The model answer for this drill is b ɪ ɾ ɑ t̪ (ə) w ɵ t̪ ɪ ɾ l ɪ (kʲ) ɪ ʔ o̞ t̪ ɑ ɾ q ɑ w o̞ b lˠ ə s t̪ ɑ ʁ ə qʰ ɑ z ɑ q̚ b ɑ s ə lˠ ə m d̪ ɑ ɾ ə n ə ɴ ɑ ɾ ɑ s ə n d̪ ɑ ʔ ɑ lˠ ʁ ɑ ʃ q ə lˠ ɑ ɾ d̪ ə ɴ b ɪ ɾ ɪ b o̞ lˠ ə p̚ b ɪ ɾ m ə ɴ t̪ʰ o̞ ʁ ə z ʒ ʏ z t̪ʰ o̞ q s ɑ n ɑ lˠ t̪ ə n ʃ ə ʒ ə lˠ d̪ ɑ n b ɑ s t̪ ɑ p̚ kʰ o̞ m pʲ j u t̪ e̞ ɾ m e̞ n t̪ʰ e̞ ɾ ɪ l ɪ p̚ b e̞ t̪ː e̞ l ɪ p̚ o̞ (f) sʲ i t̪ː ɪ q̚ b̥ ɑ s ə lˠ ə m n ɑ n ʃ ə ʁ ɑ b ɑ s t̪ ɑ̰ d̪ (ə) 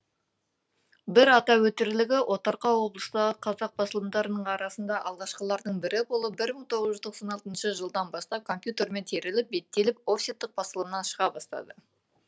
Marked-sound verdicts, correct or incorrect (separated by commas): incorrect, incorrect, correct, correct